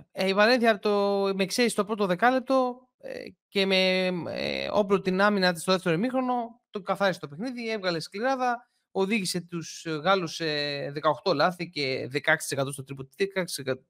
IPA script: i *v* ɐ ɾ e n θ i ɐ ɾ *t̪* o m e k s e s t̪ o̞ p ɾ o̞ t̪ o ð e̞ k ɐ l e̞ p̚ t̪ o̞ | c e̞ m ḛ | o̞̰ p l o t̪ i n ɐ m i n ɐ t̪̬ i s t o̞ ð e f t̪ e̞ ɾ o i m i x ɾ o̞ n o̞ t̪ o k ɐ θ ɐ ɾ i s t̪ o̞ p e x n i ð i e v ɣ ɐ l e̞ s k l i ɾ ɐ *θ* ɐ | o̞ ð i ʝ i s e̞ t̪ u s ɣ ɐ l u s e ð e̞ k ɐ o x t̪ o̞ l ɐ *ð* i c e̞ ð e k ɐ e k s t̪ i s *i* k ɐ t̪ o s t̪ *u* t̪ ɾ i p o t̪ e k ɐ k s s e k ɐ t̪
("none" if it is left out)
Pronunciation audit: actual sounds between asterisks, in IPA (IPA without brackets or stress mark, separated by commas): v, t̪, ð, θ, e, o